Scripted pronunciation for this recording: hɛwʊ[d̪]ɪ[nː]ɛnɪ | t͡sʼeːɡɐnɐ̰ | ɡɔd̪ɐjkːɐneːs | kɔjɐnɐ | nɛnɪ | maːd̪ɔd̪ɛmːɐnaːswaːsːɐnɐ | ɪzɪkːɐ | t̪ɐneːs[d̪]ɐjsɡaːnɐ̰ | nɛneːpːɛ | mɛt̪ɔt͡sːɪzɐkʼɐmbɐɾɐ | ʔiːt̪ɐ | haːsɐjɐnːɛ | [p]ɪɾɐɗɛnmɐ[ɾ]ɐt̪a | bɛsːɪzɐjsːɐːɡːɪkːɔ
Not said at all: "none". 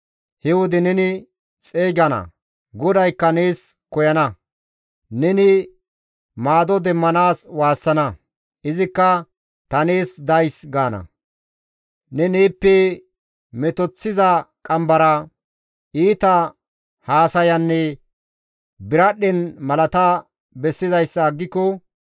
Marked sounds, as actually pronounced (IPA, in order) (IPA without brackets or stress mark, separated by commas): d̪, n, d̪, b, l